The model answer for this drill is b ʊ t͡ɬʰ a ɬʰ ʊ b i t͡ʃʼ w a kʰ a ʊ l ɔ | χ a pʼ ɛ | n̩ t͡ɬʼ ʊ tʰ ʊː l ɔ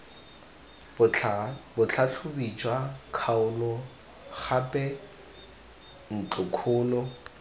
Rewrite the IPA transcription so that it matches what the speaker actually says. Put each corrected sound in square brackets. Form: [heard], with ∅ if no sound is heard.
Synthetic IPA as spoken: b ʊ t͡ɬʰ a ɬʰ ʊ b i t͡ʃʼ w a kʰ a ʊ l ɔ | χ a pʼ ɛ | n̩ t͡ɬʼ ʊ [kʰ] ʊː l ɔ